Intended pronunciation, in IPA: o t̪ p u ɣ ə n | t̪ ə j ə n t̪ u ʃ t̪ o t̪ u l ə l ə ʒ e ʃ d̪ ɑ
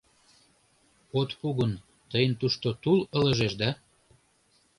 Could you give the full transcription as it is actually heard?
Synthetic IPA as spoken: o t̪ p u ɣ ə n | t̪ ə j ə n t̪ u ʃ t̪ o t̪ u l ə l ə ʒ e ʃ d̪ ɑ